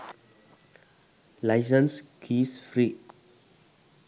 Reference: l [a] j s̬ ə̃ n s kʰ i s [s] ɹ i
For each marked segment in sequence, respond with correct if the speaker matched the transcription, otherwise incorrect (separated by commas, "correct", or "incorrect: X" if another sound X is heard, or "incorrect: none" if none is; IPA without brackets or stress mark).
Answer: correct, incorrect: f